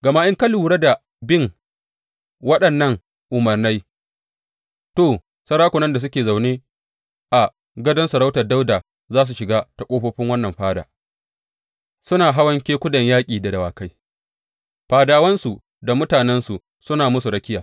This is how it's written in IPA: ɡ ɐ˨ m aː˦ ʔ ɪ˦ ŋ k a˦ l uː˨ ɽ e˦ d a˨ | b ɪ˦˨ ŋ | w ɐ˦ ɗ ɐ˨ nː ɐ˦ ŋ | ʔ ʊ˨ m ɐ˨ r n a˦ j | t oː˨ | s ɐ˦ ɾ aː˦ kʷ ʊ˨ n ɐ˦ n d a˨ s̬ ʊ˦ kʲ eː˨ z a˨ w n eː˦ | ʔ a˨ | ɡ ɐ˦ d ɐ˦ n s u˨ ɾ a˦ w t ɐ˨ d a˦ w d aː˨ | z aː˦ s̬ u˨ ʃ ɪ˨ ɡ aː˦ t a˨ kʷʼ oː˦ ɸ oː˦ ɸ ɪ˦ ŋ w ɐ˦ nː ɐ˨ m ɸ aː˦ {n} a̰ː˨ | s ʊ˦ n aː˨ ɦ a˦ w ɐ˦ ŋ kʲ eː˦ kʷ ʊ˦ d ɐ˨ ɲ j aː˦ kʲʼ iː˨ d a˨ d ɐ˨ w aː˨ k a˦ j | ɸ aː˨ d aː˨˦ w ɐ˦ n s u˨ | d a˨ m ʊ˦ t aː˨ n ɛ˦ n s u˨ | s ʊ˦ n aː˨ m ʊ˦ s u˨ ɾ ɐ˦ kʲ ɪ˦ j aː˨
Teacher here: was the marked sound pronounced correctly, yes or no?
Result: no